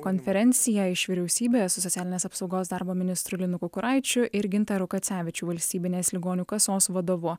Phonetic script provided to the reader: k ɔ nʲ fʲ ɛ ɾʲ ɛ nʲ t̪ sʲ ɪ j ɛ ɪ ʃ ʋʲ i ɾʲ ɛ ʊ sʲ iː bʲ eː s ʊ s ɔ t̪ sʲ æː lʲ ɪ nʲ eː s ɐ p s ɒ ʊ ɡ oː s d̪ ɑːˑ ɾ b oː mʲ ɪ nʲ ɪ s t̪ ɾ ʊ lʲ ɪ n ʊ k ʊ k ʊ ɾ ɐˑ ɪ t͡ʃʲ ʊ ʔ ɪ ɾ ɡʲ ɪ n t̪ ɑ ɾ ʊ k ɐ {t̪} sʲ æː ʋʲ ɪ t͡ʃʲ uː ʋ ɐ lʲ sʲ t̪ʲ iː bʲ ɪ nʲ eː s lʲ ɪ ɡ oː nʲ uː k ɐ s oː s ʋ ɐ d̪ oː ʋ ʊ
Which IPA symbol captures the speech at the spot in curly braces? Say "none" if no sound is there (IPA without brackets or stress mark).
t̪